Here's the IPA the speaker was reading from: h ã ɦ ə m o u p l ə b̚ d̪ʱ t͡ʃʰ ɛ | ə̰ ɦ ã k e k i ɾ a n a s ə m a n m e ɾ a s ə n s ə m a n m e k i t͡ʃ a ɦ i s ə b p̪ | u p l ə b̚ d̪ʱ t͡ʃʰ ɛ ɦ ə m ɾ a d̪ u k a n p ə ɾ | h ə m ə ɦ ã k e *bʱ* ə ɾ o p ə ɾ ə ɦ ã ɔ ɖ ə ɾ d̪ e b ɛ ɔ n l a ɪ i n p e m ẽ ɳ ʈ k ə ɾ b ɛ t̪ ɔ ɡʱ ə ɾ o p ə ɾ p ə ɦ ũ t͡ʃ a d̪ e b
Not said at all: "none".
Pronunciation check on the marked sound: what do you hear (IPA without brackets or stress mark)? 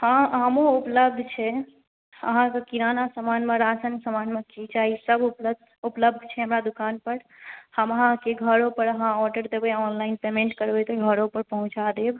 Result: ɡʱ